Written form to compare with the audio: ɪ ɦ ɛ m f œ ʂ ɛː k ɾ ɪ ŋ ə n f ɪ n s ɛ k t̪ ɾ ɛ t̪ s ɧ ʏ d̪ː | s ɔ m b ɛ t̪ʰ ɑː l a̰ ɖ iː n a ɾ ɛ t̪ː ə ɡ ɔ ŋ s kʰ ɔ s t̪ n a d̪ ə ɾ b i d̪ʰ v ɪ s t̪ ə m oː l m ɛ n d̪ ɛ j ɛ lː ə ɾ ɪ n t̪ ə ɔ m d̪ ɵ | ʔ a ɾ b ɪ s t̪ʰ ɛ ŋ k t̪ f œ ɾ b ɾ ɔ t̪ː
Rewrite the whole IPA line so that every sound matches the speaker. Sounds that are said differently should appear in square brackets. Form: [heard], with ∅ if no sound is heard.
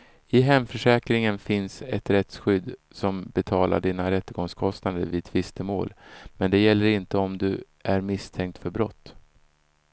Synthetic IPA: ɪ ɦ ɛ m f œ ʂ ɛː k ɾ ɪ ŋ ə n f ɪ n s ɛ [∅] t̪ ɾ ɛ t̪ s ɧ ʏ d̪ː | s ɔ m b ɛ t̪ʰ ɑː l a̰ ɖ iː n a ɾ ɛ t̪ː ə ɡ ɔ ŋ s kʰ ɔ s t̪ n a d̪ ə ɾ [v] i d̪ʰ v ɪ s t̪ ə m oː l m ɛ n d̪ ɛ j ɛ lː ə ɾ ɪ n t̪ ə ɔ m d̪ ɵ | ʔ [æ] ɾ [m] ɪ s t̪ʰ ɛ ŋ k t̪ f œ ɾ b ɾ ɔ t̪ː